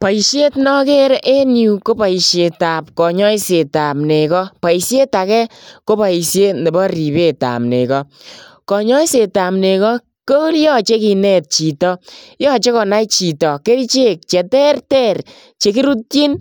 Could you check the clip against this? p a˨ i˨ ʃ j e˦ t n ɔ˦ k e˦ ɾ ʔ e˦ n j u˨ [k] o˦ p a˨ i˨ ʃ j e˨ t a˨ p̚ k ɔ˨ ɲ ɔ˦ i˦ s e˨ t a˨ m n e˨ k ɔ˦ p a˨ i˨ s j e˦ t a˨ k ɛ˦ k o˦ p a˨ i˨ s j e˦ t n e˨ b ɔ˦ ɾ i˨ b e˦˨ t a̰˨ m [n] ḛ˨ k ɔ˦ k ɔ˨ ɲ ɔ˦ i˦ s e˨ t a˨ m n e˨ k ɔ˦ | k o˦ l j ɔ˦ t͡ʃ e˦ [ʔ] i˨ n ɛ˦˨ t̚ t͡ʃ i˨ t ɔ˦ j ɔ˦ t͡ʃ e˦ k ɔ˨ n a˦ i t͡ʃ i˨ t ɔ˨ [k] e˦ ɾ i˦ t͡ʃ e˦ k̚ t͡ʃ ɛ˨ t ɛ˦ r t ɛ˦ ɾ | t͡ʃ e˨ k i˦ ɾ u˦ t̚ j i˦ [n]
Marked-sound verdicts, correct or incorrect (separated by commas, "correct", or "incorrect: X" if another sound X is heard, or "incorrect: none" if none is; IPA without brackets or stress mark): correct, correct, incorrect: k, correct, correct